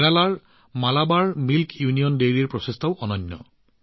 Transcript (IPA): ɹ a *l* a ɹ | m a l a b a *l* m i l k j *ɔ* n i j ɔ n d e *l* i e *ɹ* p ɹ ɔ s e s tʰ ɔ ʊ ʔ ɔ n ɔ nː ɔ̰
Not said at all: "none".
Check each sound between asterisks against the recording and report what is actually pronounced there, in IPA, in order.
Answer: l, ɹ, u, ɹ, ɹ

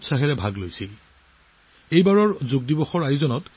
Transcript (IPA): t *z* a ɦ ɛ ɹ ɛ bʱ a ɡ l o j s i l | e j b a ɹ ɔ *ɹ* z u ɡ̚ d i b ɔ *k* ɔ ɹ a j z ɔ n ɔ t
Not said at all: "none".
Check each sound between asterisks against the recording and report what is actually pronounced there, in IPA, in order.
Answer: s, ɹ, x

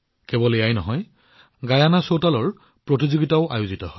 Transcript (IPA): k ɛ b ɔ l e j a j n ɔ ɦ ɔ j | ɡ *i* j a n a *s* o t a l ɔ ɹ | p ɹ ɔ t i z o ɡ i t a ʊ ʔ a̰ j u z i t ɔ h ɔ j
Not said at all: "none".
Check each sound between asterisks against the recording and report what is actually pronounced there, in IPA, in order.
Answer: a, s

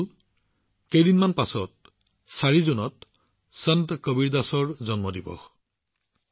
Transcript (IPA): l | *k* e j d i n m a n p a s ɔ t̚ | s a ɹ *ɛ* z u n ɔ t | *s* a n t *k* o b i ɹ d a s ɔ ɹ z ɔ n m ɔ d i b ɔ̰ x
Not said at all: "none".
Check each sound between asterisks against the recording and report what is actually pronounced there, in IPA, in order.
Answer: k, i, s, k

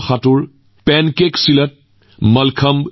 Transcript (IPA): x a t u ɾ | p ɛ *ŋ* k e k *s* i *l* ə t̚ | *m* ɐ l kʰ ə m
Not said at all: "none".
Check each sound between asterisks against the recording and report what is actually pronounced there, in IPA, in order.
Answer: n, s, l, m

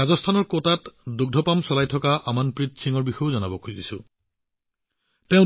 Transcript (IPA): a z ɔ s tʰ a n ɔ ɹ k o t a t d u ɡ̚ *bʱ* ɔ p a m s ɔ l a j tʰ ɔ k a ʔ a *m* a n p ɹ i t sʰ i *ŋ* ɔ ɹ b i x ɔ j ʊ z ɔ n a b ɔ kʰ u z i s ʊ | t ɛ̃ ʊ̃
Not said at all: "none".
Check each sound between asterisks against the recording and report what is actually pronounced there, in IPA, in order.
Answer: dʱ, m, ŋ

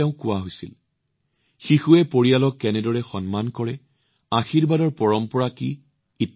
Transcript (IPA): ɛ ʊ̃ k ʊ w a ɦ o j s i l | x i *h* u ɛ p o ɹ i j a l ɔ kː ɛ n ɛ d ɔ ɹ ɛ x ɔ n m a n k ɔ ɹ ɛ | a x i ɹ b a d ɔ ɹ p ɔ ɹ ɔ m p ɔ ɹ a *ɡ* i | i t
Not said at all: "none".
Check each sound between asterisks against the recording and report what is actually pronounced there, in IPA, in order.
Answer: x, k

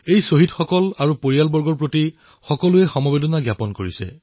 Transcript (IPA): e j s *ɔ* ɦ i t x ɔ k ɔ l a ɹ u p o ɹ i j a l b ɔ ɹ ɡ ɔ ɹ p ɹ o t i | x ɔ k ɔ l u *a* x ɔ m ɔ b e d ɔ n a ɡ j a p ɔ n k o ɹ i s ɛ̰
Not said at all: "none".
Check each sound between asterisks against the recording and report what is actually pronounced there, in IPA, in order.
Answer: o, ɛ

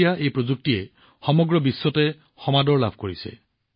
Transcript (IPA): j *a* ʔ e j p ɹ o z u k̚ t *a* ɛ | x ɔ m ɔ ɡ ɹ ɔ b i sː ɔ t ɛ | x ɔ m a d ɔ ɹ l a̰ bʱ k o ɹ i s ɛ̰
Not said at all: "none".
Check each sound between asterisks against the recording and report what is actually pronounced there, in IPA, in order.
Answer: a, i

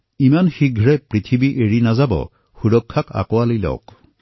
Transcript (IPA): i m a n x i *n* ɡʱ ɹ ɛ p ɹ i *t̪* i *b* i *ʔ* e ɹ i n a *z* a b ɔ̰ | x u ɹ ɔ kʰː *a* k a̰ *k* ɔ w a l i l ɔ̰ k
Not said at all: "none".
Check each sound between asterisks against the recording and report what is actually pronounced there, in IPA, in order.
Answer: none, t̪ʰ, b, ʔ, z, a, k

